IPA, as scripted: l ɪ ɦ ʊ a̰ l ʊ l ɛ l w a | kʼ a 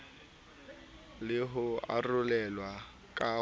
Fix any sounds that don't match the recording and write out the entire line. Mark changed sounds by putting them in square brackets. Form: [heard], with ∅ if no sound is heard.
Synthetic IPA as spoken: l ɪ ɦ ʊ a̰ [r] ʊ l ɛ l w a | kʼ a